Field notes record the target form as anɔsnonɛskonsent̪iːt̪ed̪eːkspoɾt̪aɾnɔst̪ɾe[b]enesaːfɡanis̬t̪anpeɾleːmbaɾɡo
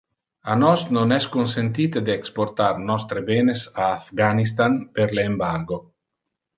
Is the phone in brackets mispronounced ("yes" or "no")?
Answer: no